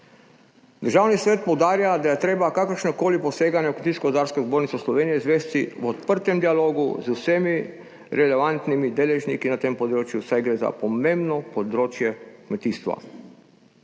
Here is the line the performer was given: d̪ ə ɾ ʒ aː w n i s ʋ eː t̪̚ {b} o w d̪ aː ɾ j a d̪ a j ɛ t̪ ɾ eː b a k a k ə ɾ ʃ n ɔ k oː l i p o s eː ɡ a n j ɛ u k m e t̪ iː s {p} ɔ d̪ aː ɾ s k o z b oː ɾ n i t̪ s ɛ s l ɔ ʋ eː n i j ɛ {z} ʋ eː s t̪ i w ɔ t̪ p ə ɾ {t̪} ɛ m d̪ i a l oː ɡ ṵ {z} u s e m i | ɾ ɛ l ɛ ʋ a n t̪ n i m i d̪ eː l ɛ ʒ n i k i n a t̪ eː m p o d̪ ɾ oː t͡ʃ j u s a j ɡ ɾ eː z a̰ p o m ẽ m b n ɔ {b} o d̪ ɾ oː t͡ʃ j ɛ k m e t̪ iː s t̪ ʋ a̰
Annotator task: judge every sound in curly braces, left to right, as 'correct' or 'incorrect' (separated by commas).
incorrect, incorrect, correct, correct, correct, incorrect